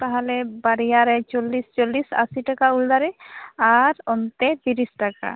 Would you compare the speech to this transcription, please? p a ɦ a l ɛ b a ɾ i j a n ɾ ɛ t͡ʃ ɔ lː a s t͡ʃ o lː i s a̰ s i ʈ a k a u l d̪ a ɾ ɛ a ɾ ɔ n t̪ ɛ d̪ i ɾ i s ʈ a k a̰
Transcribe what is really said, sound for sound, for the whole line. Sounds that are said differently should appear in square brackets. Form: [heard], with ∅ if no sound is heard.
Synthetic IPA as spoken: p a ɦ a l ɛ b a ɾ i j a [∅] ɾ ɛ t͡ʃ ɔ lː [i] s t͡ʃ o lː i s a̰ s i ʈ a k a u l d̪ a ɾ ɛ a ɾ ɔ n t̪ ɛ [t̪] i ɾ i s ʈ a k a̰